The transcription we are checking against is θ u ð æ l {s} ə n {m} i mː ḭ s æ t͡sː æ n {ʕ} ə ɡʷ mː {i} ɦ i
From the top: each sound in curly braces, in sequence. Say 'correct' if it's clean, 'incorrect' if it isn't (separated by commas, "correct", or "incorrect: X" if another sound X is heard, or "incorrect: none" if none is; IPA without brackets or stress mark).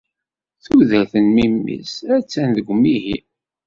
incorrect: θ, correct, incorrect: ð, correct